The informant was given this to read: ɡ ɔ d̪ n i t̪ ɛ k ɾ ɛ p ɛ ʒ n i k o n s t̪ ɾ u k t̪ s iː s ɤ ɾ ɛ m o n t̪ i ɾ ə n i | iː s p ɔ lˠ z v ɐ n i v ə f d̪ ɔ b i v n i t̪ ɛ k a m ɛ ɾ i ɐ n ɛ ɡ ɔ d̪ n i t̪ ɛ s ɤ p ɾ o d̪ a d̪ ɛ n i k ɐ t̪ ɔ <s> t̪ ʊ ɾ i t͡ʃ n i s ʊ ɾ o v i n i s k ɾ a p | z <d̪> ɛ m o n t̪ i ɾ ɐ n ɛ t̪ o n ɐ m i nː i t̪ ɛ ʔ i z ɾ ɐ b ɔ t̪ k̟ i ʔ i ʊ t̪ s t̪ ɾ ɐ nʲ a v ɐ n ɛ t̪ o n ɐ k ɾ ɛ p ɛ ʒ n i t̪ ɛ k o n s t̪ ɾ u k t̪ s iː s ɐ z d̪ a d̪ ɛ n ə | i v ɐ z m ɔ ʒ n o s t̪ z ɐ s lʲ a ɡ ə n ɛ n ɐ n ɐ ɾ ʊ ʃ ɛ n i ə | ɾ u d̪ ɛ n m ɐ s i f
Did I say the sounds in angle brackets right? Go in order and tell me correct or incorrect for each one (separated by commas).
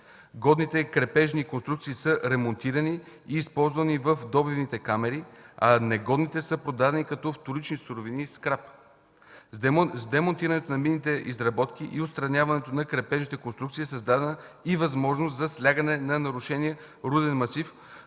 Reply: incorrect, correct